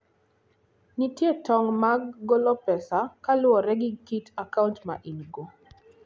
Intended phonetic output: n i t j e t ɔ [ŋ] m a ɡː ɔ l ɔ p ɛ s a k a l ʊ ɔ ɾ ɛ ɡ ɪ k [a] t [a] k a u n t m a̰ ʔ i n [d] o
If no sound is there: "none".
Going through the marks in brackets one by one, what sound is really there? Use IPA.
ŋ, i, a, ɡ

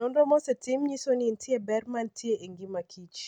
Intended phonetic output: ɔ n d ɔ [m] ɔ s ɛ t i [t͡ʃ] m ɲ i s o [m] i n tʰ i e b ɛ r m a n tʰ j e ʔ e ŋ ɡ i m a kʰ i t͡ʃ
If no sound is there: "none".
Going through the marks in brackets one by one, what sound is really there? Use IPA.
m, none, n

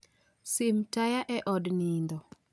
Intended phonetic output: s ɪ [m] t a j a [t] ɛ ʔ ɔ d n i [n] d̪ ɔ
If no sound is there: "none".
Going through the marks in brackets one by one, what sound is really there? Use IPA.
m, ʔ, n

